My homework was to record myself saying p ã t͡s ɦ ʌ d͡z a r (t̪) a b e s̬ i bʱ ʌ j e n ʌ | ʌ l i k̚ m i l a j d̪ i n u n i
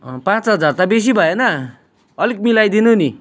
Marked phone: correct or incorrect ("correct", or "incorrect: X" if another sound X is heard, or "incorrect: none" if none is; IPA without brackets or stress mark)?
correct